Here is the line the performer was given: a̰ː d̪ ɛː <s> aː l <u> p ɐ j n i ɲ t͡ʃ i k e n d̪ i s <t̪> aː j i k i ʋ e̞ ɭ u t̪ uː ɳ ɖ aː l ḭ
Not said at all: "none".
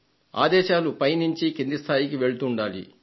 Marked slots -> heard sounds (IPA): ʃ, u, t̪ʰ

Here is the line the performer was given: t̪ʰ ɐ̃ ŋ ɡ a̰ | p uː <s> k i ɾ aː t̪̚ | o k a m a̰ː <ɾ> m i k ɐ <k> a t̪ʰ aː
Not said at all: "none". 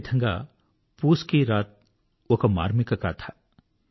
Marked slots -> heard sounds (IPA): s, ɾ, k

